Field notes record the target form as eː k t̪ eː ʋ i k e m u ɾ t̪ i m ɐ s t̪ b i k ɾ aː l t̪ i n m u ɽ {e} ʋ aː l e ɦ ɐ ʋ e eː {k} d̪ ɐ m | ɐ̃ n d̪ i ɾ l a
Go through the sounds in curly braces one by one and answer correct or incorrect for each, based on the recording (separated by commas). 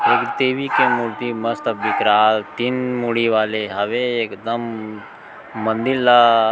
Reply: incorrect, correct